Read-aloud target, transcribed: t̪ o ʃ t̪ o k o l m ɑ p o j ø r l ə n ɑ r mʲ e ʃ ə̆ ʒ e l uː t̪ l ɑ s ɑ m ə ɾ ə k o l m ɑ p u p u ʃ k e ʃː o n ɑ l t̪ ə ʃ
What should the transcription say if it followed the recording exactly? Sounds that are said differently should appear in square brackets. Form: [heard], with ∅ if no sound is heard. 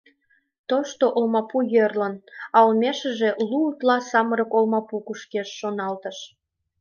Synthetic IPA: t̪ o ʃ t̪ o [ʔ] o l m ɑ p [u] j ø r l ə n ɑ [l] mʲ e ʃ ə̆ ʒ e l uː t̪ l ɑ s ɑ m ə ɾ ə k o l m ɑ p u [k] u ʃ k e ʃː o n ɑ l t̪ ə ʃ